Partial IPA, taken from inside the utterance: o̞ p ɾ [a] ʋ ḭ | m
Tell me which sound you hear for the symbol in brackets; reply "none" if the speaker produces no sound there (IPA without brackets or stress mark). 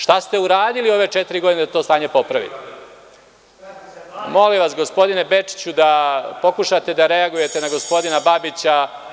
a